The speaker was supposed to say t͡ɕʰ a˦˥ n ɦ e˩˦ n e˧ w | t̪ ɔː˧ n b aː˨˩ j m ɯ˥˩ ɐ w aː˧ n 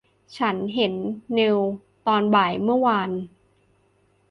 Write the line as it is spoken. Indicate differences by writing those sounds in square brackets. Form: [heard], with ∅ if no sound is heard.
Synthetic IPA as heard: t͡ɕʰ a˦˥ n ɦ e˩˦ [nː] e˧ w | t̪ ɔː˧ n b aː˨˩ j m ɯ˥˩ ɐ w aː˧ n